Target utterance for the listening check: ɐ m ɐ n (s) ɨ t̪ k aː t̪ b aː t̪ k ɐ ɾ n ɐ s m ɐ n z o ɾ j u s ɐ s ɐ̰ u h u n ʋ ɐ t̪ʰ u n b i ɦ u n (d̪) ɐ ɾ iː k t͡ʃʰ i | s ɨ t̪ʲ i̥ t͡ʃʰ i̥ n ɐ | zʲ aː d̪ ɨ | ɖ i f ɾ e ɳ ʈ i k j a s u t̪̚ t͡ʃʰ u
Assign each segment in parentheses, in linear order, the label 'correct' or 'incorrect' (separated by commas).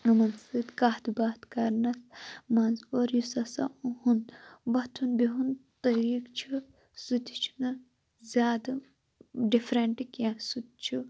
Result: correct, incorrect